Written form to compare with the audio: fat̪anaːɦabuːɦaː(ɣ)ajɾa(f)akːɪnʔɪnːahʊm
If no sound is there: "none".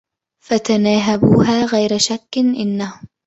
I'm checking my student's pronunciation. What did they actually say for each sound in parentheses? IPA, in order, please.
ɣ, ʃ

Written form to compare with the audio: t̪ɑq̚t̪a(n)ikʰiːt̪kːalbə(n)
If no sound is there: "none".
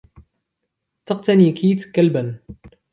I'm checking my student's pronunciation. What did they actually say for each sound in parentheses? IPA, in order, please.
n, n

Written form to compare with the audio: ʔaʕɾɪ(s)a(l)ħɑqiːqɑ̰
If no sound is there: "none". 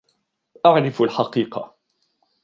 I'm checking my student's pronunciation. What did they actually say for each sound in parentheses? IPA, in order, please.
f, l

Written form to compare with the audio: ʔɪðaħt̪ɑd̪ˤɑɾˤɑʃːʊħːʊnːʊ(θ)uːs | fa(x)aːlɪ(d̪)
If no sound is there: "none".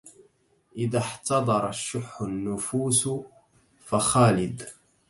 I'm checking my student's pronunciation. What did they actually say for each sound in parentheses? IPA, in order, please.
f, x, d̪

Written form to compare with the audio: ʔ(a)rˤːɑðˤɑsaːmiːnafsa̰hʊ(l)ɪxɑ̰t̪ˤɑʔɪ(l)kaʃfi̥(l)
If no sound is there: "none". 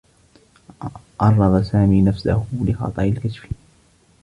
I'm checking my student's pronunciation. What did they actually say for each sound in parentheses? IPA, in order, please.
ɑ, l, l, none

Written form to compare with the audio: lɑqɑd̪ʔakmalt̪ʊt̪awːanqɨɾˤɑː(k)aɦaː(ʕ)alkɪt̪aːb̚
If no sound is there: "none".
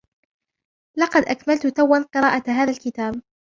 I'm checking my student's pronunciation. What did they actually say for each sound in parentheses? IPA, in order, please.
ʔ, ð

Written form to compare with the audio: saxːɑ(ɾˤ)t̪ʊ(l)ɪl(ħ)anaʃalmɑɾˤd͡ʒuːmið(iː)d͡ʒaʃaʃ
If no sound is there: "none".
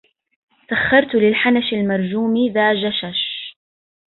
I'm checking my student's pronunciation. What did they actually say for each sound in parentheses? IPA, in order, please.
ɾˤ, l, ħ, aː

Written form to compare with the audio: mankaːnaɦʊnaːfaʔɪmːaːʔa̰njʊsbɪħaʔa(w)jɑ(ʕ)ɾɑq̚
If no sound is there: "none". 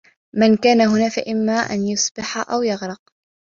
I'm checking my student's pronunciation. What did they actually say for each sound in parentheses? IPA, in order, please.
w, ɣ

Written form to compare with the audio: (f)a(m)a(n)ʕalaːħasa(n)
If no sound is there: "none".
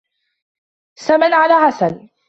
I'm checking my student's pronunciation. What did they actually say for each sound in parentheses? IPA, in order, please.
s, m, n, n

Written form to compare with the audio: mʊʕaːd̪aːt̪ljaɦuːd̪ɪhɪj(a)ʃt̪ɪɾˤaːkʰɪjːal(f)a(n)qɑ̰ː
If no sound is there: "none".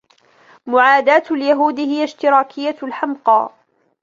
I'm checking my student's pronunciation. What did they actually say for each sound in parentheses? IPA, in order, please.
a, ħ, m

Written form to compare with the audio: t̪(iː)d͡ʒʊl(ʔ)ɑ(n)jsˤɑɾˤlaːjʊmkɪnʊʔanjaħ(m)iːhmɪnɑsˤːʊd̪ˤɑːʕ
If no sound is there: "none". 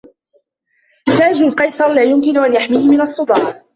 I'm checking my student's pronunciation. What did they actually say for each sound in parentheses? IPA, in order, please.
aː, q, none, m

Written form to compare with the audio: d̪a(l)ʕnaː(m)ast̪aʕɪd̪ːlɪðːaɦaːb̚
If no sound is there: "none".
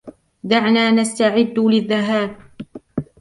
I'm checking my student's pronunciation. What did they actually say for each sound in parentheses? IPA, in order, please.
none, n

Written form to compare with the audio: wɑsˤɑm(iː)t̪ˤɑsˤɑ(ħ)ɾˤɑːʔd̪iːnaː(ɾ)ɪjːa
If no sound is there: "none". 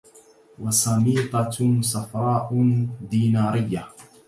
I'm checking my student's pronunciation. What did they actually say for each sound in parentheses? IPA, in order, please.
iː, f, ɾ

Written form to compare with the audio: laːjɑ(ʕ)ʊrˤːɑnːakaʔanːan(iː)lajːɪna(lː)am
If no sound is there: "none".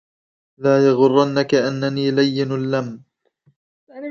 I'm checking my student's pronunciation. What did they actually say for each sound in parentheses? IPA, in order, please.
ɣ, iː, lː

